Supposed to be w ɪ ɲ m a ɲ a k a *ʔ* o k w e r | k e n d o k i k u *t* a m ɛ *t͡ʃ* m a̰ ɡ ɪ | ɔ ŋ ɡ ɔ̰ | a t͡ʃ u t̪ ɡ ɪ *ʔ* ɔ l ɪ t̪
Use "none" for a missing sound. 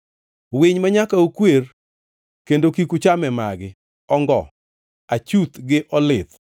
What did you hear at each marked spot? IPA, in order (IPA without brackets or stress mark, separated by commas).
none, t͡ʃ, none, ʔ